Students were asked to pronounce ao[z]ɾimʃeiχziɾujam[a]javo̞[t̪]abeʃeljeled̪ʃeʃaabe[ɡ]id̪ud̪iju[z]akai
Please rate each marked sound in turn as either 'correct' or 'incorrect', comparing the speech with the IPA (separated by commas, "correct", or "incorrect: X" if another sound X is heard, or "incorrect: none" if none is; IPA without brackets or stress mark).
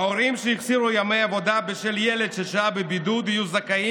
incorrect: none, incorrect: e, incorrect: d̪, incorrect: b, correct